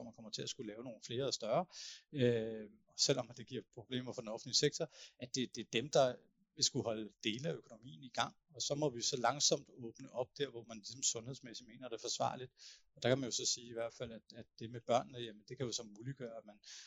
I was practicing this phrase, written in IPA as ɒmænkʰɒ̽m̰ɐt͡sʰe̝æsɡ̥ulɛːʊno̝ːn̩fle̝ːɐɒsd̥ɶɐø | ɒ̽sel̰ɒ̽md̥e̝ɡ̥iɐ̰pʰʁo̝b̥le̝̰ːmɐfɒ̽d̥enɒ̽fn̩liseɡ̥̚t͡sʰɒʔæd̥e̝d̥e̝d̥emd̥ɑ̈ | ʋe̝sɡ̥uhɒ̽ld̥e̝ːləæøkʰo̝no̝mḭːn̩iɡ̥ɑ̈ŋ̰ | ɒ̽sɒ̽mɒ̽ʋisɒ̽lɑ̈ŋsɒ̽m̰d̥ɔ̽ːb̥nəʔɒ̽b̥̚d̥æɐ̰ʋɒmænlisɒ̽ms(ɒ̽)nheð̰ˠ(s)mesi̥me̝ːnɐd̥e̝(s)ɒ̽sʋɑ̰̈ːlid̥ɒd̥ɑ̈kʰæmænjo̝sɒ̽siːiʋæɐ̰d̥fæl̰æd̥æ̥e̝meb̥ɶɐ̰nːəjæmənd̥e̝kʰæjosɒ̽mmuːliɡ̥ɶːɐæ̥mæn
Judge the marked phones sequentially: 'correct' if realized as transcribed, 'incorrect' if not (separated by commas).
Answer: incorrect, correct, incorrect